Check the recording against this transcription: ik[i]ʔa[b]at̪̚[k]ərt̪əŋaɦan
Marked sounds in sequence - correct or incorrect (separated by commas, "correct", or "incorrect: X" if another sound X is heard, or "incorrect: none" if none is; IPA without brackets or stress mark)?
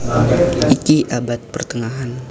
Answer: correct, correct, incorrect: p